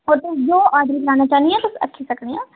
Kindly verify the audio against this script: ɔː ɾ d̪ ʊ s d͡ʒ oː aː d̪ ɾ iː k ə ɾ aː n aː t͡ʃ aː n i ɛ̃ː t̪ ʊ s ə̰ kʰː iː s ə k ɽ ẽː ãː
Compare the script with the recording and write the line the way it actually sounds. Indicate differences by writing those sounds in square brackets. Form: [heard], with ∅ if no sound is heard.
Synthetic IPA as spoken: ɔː ɾ [t̪] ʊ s d͡ʒ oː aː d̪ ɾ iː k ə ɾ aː n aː t͡ʃ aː n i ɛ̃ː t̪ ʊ s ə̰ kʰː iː s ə k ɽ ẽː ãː